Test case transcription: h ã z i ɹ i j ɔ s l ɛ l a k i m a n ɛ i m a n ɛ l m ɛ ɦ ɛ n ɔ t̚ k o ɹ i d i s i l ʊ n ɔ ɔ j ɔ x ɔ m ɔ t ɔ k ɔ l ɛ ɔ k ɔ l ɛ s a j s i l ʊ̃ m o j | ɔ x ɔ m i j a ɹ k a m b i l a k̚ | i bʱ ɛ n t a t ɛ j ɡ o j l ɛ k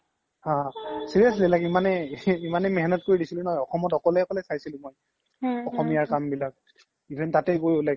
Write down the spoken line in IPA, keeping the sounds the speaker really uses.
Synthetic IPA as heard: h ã s i ɹ i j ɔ s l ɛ l a k i m a n ɛ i m a n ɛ m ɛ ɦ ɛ n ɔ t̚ k o ɹ i d i s i l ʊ n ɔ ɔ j ɔ x ɔ m ɔ t ɔ k ɔ l ɛ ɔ k ɔ l ɛ s a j s i l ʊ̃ m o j | ɔ x ɔ m i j a ɹ k a m b i l a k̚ | i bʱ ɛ n t a t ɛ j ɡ o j l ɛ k